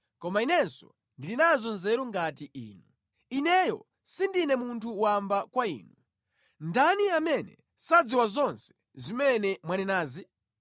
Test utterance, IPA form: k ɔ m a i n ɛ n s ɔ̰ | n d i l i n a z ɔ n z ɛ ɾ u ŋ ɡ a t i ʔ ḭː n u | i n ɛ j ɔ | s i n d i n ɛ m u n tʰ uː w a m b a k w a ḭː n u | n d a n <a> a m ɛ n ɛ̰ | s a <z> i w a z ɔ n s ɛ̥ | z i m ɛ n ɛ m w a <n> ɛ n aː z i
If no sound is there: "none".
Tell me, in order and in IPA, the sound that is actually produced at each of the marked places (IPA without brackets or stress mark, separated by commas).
i, d͡z, n